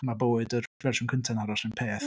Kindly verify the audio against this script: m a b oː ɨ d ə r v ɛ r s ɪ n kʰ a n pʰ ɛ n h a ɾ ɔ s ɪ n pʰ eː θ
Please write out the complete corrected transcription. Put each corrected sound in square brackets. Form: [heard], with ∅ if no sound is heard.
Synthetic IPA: m a b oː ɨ d ə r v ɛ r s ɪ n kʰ [ə] n [tʰ] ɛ n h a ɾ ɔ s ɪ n pʰ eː θ